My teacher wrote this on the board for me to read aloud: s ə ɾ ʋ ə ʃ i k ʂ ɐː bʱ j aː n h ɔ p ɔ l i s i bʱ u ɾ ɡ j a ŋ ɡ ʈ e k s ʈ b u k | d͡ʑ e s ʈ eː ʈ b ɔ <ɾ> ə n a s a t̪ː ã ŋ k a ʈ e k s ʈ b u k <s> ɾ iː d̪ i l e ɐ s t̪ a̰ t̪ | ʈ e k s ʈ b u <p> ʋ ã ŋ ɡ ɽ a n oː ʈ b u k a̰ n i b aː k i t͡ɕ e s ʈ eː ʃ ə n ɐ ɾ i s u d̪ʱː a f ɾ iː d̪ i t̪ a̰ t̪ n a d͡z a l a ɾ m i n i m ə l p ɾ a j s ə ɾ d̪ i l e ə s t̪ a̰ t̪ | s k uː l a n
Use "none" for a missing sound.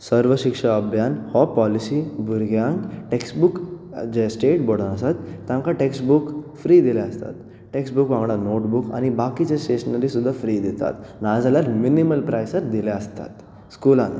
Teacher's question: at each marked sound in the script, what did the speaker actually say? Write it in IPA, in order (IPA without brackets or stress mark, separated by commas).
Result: ɽ, f, k